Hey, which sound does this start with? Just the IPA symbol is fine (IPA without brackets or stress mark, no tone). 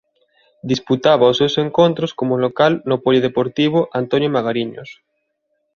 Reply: d̪